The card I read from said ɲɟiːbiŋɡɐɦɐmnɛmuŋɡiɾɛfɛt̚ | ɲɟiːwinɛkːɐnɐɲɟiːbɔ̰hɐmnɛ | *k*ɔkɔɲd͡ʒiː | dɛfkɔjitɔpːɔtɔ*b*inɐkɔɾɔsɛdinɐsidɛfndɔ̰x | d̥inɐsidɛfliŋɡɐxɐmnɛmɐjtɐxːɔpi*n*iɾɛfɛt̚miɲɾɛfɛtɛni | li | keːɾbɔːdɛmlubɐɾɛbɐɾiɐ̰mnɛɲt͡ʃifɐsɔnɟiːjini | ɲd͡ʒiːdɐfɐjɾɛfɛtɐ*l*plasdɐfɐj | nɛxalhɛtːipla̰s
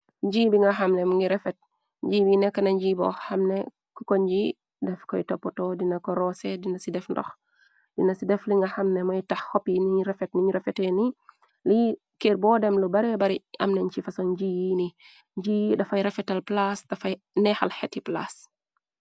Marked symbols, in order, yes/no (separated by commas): yes, no, yes, yes